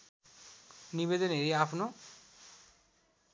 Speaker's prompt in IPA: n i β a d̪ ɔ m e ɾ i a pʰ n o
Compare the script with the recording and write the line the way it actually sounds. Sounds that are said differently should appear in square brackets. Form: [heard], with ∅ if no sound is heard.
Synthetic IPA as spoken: n i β [e] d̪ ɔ [n] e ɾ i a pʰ n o